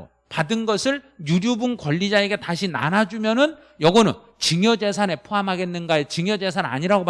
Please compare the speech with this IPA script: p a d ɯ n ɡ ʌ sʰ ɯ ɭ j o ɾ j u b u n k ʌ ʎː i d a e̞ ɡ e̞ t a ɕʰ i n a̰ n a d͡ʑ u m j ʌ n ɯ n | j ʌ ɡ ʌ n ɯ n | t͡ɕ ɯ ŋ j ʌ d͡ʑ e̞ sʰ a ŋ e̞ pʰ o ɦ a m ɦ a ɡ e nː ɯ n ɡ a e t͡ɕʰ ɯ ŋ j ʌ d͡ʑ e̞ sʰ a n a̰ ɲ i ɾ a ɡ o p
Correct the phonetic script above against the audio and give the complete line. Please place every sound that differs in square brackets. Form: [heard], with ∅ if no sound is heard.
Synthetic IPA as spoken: p a d ɯ n ɡ ʌ sʰ ɯ ɭ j [u] ɾ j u b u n k ʌ ʎː i [d͡ʑ] a e̞ ɡ e̞ t a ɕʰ i n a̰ n a d͡ʑ u m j ʌ n ɯ n | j ʌ ɡ ʌ n ɯ n | t͡ɕ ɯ ŋ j ʌ d͡ʑ e̞ sʰ a [n] e̞ pʰ o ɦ a m ɦ a ɡ e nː ɯ n ɡ a e [t͡ɕ] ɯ ŋ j ʌ d͡ʑ e̞ sʰ a n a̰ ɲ i ɾ a ɡ o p